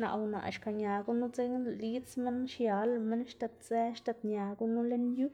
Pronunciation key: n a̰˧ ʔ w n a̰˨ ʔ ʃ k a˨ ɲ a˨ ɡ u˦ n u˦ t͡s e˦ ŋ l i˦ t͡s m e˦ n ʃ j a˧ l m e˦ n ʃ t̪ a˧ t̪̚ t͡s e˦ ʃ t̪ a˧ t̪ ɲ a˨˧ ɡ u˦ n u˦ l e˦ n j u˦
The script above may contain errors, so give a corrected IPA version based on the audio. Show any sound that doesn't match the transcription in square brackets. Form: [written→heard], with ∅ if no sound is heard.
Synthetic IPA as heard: n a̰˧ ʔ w n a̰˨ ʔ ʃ k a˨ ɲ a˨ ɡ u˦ n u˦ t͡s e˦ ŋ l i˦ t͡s m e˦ n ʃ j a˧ l m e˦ n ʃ t̪ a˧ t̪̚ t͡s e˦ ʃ t̪ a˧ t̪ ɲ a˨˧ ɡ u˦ n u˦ l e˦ n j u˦

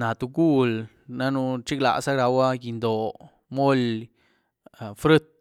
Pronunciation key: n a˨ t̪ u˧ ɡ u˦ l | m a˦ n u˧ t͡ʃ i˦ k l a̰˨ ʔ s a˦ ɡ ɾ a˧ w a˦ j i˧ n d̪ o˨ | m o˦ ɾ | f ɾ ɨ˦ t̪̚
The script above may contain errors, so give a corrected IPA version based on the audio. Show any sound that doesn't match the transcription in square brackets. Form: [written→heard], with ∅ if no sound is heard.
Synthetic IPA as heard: n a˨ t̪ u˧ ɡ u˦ l | [m→n] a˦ n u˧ t͡ʃ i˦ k l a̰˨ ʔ s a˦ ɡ ɾ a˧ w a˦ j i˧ n d̪ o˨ | m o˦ [ɾ→l] | f ɾ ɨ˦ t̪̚

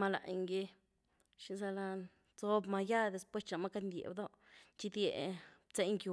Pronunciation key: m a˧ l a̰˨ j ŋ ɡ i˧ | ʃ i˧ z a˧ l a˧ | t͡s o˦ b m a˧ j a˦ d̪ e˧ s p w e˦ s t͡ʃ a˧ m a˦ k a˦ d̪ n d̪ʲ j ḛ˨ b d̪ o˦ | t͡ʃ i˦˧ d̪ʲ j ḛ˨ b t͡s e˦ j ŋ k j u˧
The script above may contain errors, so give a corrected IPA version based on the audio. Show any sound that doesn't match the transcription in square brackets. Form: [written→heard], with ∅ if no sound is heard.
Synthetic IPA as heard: m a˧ l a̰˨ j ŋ ɡ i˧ | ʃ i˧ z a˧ l a˧ | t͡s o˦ b m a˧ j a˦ d̪ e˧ s p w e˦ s t͡ʃ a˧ m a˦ k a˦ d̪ n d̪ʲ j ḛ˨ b d̪ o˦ | t͡ʃ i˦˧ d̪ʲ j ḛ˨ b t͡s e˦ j ŋ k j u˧

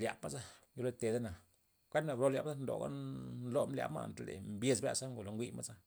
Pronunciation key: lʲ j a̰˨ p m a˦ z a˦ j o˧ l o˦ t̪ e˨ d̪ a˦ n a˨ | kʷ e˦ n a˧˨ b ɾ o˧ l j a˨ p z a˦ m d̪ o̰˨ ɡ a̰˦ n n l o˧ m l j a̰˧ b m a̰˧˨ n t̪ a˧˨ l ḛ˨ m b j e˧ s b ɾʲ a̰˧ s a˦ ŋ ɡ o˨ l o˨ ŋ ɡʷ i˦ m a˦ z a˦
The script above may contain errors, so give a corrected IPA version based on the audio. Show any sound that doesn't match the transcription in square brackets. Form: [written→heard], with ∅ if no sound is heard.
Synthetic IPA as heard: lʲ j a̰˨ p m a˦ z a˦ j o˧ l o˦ t̪ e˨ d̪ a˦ n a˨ | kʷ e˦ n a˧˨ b ɾ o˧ l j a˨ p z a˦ [m→n] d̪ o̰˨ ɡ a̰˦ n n l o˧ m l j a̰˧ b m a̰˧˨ n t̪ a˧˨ l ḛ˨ m b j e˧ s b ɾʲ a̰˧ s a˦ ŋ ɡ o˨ l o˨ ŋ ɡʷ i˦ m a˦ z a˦

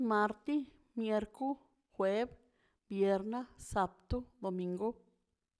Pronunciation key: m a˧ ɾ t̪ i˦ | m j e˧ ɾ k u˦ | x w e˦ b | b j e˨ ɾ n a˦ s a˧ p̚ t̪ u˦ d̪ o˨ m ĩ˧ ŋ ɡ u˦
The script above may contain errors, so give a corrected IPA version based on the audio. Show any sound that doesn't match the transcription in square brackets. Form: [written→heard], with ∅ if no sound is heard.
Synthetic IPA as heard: m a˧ ɾ t̪ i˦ | m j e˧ ɾ k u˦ | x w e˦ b | b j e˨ ɾ n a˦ s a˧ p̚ t̪ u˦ d̪ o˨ m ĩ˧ ŋ ɡ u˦

